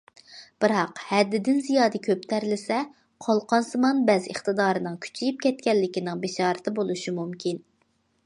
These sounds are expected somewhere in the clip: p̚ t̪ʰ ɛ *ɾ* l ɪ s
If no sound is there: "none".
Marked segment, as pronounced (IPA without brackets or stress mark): ɾ